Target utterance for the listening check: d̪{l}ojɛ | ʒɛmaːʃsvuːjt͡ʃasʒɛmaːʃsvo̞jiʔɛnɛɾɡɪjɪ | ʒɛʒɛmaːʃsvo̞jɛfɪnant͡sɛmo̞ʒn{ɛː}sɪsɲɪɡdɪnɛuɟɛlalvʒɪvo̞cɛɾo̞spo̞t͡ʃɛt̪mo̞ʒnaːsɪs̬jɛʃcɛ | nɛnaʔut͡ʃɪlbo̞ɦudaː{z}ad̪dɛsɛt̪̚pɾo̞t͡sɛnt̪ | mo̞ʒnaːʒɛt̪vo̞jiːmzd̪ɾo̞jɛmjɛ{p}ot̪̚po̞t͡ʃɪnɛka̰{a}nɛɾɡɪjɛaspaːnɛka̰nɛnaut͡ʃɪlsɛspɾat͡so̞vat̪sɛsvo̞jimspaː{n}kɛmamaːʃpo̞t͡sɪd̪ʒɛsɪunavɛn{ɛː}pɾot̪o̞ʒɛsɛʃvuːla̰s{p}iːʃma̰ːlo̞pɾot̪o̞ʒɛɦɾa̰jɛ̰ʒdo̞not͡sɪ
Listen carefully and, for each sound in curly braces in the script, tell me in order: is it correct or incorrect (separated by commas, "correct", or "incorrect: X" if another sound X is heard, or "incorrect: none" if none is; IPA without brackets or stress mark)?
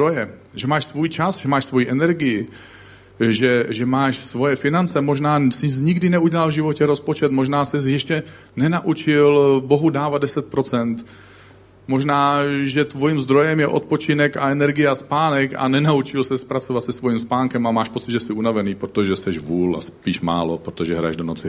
incorrect: ɾ, incorrect: aː, incorrect: v, incorrect: ʔ, incorrect: ɛ, incorrect: ŋ, incorrect: iː, correct